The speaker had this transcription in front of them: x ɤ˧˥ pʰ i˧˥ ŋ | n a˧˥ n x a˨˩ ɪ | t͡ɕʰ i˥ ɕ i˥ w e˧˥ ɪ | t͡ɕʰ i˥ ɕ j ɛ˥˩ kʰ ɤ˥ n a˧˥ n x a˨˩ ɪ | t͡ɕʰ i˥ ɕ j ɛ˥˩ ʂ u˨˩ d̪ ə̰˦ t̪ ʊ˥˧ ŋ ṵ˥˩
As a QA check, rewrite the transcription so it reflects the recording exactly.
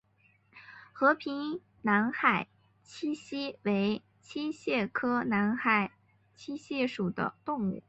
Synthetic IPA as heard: x ɤ˧˥ pʰ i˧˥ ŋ | n a˧˥ n x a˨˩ ɪ | t͡ɕʰ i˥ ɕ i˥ w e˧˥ ɪ | t͡ɕʰ i˥ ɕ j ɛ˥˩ kʰ ɤ˥ n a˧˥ n x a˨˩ ɪ | t͡ɕʰ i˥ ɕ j ɛ˥˩ ʂ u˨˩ d̪ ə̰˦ t̪ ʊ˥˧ ŋ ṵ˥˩

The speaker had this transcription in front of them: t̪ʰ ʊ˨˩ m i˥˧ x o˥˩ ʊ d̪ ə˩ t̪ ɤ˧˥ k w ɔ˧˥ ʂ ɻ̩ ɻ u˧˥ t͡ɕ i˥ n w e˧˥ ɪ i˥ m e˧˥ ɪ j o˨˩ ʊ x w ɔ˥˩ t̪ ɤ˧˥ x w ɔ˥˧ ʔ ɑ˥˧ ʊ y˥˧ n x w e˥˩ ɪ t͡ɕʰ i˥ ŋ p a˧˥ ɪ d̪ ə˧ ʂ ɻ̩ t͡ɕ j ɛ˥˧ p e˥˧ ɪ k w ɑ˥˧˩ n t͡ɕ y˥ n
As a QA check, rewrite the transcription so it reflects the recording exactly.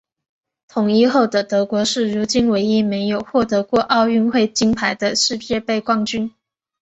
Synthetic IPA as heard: t̪ʰ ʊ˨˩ ŋ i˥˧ x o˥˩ ʊ d̪ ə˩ t̪ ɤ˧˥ k w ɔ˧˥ ʂ ɻ̩ ɻ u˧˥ t͡ɕ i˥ n w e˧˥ ɪ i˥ m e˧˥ ɪ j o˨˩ ʊ x w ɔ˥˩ t̪ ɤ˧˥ k w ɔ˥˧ ʔ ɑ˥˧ ʊ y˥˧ n x w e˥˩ ɪ t͡ɕ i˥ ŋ pʰ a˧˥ ɪ d̪ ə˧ ʂ ɻ̩ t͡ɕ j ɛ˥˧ p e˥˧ ɪ k w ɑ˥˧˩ ŋ t͡ɕ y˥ n

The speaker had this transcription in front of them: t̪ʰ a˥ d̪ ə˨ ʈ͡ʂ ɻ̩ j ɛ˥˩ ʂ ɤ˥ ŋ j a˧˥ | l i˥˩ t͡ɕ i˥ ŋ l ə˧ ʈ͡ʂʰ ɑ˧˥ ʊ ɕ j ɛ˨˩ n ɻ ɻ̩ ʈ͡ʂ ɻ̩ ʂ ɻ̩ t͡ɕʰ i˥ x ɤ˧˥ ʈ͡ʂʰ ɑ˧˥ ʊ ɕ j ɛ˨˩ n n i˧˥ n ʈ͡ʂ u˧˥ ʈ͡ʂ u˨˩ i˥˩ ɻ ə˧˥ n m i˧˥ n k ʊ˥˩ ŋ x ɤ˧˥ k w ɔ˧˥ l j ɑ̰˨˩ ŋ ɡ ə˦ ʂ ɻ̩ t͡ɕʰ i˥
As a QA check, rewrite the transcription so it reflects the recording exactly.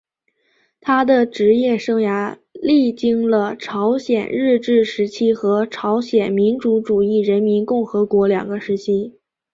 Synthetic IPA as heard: t̪ʰ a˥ d̪ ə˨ ʈ͡ʂ ɻ̩ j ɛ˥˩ ʂ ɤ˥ ŋ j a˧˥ | l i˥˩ t͡ɕ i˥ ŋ l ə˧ ʈ͡ʂʰ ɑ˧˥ ʊ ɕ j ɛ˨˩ n ɻ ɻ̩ ʈ͡ʂ ɻ̩ ʂ ɻ̩ t͡ɕʰ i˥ x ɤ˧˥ ʈ͡ʂʰ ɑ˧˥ ʊ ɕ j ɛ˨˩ n m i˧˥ n ʈ͡ʂ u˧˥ ʈ͡ʂ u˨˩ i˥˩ ɻ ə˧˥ n m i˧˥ n k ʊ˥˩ ŋ x ɤ˧˥ k w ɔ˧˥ l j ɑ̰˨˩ ŋ ɡ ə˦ ʂ ɻ̩ t͡ɕʰ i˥

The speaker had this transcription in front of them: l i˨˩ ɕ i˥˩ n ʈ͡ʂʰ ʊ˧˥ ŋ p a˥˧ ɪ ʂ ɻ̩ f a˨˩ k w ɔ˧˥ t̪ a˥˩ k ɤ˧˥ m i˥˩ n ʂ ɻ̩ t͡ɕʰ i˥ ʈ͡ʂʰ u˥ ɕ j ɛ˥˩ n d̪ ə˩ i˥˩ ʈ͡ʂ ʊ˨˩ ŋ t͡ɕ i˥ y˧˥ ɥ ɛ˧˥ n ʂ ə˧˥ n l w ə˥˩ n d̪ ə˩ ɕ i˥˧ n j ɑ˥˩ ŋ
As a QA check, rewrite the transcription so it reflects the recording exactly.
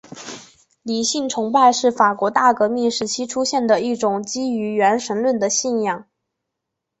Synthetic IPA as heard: l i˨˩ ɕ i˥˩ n ʈ͡ʂʰ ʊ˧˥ ŋ p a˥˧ ɪ ʂ ɻ̩ f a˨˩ k w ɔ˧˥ t̪ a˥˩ k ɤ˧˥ m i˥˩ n ʂ ɻ̩ t͡ɕʰ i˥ ʈ͡ʂʰ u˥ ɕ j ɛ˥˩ n d̪ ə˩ i˥˩ ʈ͡ʂ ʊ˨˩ ŋ t͡ɕ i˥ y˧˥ ɥ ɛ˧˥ n ʂ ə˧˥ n l w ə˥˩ n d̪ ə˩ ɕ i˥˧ n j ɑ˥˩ ŋ

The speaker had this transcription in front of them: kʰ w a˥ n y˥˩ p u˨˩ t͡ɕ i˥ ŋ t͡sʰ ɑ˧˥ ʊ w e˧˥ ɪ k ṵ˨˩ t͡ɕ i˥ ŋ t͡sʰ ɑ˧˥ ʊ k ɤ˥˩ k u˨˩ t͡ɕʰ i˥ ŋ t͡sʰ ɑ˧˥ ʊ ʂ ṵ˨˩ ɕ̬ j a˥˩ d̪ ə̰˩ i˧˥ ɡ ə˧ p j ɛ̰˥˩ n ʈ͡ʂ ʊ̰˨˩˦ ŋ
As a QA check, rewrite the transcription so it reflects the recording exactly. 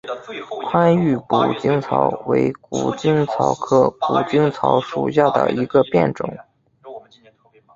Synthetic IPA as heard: kʰ w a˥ n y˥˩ p u˨˩ t͡ɕ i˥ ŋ t͡sʰ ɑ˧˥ ʊ w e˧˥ ɪ k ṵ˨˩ t͡ɕ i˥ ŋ t͡sʰ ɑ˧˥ ʊ kʰ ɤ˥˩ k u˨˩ t͡ɕ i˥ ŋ t͡sʰ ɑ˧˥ ʊ ʂ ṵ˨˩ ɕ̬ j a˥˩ d̪ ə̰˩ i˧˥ ɡ ə˧ p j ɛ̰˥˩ n ʈ͡ʂ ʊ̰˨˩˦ ŋ

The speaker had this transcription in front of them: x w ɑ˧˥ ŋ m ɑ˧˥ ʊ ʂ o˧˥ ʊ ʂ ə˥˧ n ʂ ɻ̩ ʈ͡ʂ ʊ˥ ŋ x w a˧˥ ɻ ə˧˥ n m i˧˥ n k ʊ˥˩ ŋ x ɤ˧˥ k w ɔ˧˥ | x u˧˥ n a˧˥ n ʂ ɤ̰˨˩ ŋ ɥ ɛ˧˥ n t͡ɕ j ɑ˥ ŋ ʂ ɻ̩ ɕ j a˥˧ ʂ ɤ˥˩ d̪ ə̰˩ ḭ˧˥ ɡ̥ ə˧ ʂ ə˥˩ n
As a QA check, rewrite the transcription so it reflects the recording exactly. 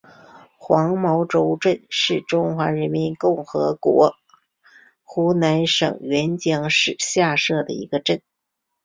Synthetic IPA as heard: x w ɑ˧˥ ŋ m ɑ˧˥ ʊ ʈ͡ʂ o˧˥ ʊ ʈ͡ʂ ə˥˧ n ʂ ɻ̩ ʈ͡ʂ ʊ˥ ŋ x w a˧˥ ɻ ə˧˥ n m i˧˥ n k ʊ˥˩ ŋ x ɤ˧˥ k w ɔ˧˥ | x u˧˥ n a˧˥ n ʂ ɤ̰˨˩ ŋ ɥ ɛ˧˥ n t͡ɕ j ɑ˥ ŋ ʂ ɻ̩ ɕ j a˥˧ ʂ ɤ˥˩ d̪ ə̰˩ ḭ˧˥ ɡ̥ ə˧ ʈ͡ʂ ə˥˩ n

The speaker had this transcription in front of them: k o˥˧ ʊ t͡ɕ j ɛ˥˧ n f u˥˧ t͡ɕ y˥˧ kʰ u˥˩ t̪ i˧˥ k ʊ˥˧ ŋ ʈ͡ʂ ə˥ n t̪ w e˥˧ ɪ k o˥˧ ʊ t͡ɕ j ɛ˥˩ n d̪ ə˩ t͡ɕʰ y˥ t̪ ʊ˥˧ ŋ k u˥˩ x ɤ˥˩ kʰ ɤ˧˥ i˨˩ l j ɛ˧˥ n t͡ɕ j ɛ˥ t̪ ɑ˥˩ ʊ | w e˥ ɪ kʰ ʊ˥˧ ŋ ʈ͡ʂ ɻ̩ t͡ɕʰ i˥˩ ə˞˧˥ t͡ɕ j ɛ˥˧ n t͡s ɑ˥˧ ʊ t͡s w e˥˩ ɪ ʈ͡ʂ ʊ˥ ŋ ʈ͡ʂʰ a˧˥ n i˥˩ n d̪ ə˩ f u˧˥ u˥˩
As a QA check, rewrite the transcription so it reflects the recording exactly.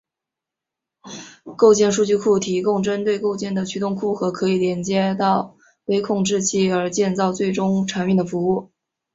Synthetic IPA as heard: k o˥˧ ʊ t͡ɕ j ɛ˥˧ n ʂ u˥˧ t͡ɕ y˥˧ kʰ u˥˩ t̪ʰ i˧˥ k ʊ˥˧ ŋ ʈ͡ʂ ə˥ n t̪ w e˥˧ ɪ k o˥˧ ʊ t͡ɕ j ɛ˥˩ n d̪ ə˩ t͡ɕʰ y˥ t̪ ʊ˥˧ ŋ kʰ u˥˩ x ɤ˧˥ kʰ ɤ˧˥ i˨˩ l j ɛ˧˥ n t͡ɕ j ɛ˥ t̪ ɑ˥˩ ʊ | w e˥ ɪ kʰ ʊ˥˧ ŋ ʈ͡ʂ ɻ̩ t͡ɕʰ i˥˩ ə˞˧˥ t͡ɕ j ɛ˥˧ n t͡s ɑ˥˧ ʊ t͡s w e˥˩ ɪ ʈ͡ʂ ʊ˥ ŋ ʈ͡ʂʰ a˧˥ n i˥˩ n d̪ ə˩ f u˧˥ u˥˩

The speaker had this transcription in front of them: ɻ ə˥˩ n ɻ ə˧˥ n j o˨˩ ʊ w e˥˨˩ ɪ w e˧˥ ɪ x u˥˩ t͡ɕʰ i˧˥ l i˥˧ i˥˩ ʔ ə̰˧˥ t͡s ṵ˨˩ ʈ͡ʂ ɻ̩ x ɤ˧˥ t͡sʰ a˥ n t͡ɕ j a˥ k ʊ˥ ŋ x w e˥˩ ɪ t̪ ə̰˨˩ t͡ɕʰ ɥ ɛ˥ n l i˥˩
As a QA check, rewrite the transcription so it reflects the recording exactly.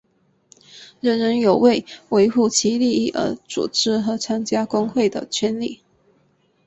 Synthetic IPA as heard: ɻ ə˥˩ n ɻ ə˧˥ n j o˨˩ ʊ w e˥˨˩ ɪ w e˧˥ ɪ x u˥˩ t͡ɕʰ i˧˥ l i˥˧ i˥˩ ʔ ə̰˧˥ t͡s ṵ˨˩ ʈ͡ʂ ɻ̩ x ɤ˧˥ t͡sʰ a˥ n t͡ɕ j a˥ k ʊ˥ ŋ x w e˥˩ ɪ d̪ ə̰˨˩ t͡ɕʰ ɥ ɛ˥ n l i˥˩

